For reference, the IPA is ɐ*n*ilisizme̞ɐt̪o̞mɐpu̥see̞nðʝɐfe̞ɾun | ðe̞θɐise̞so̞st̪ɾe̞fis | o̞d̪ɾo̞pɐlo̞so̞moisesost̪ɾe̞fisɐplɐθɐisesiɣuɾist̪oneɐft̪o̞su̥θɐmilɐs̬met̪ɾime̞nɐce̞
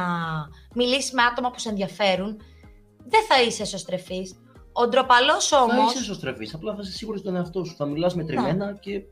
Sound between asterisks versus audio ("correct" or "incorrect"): incorrect